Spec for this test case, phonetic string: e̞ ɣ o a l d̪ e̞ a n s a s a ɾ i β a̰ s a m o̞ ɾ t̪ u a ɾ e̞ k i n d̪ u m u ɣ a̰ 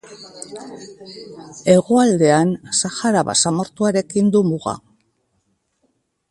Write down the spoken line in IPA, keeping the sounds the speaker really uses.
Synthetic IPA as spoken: e̞ ɣ o a l d̪ e̞ a n s a x a ɾ a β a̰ s a m o̞ ɾ t̪ u a ɾ e̞ k i n d̪ u m u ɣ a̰